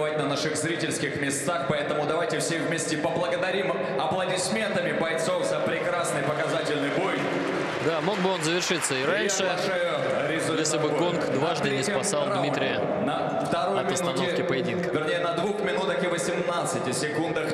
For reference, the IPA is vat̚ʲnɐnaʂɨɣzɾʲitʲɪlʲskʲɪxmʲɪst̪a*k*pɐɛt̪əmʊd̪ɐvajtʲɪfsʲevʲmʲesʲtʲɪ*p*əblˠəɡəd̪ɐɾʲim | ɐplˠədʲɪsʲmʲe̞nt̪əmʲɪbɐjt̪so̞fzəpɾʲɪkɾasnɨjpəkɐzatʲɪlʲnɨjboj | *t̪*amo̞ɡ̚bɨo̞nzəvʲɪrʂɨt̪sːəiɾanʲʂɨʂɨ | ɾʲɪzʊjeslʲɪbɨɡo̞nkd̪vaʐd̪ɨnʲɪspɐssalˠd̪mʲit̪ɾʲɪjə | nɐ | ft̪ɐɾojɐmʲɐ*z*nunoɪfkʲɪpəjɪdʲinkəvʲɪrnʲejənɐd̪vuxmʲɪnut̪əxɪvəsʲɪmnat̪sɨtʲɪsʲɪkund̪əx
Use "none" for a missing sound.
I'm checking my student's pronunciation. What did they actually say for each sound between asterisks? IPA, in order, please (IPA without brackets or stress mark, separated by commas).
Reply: x, p, d̪, s